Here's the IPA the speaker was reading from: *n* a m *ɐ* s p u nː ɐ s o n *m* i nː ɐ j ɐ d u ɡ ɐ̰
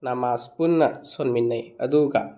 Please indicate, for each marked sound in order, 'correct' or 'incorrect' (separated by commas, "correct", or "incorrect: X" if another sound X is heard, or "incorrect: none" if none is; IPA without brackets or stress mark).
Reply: correct, incorrect: a, correct